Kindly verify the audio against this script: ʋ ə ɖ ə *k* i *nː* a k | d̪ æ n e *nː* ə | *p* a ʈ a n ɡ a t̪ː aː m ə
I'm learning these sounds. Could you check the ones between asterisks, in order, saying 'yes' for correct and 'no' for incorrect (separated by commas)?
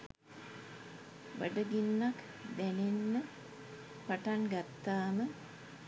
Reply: no, yes, yes, yes